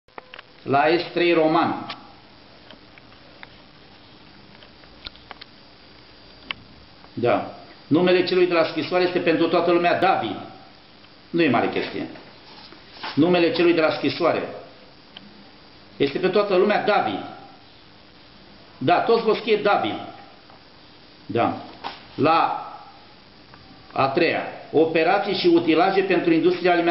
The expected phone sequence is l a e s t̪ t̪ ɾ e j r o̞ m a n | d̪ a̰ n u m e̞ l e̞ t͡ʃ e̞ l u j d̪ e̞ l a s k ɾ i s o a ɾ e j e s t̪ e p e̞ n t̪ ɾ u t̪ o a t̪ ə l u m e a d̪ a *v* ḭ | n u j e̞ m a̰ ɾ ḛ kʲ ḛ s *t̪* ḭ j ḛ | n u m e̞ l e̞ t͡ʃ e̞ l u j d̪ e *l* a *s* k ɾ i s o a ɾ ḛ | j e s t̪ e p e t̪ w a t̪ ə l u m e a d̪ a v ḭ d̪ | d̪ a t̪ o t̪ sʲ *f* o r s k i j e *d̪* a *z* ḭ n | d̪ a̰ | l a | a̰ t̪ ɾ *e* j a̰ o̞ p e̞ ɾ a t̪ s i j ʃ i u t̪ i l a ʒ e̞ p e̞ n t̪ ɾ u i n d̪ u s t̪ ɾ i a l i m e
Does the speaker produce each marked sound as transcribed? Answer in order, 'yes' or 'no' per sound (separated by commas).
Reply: yes, yes, yes, yes, no, yes, no, yes